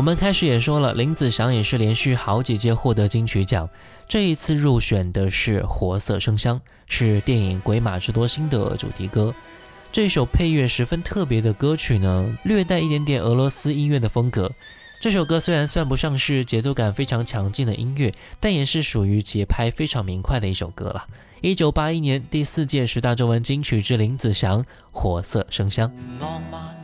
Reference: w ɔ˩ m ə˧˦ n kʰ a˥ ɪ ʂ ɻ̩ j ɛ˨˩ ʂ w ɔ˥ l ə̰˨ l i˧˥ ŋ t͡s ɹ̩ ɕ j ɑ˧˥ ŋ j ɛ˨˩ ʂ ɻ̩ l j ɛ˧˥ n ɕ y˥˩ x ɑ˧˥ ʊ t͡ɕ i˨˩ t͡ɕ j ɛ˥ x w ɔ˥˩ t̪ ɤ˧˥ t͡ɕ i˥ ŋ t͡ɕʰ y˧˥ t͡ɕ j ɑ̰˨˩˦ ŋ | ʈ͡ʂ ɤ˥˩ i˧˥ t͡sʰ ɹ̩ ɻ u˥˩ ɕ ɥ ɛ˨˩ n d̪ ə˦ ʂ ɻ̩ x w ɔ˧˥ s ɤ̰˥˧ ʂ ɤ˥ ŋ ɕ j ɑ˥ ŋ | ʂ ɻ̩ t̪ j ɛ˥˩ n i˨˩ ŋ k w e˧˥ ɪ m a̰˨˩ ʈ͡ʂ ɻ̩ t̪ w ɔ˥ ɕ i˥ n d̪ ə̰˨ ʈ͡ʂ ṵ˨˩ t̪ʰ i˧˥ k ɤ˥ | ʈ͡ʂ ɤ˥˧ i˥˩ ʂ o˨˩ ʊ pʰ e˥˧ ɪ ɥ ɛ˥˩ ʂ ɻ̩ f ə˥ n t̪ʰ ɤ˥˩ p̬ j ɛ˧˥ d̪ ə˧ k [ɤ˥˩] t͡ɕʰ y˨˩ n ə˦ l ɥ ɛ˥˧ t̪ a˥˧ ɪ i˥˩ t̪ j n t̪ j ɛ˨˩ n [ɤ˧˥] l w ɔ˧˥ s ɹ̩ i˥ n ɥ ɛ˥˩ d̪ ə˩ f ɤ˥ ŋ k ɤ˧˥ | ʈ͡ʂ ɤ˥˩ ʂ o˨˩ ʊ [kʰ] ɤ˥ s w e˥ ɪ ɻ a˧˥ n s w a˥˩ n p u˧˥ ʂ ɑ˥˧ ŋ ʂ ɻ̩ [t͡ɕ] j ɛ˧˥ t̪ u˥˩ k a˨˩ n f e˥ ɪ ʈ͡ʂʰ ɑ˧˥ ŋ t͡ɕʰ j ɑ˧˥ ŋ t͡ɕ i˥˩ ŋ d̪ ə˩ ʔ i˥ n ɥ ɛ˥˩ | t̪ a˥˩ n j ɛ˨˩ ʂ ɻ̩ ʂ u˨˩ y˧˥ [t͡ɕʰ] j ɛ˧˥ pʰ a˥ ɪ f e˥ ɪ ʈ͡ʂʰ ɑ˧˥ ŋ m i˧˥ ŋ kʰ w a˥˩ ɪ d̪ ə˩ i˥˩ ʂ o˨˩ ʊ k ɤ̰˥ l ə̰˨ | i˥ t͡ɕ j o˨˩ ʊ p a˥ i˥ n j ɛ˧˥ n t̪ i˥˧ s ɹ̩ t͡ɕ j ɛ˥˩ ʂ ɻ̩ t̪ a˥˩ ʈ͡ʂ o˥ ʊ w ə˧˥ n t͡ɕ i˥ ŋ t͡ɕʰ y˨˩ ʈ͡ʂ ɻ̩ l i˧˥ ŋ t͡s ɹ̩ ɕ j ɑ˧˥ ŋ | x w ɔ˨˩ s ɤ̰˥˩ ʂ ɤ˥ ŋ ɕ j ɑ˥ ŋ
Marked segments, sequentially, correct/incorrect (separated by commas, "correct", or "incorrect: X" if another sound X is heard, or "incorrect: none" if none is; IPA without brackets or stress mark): incorrect: ɤ˥, correct, incorrect: k, correct, incorrect: t͡ɕ